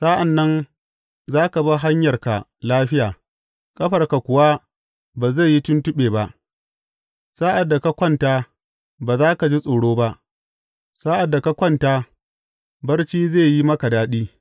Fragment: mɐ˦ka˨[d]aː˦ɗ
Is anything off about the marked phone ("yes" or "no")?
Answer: no